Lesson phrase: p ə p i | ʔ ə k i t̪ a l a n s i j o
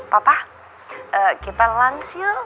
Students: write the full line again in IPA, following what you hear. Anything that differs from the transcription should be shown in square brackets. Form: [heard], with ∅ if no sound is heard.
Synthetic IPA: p [a] p [a] | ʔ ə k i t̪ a l a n s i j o